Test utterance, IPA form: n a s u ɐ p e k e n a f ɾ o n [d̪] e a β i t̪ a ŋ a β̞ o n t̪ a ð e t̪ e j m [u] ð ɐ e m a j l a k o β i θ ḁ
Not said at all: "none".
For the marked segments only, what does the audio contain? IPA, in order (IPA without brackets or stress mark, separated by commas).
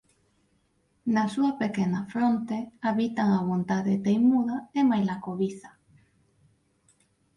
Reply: t̪, u